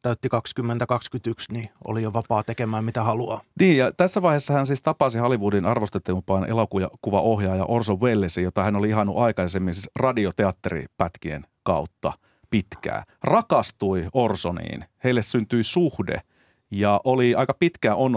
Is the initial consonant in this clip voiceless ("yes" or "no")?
yes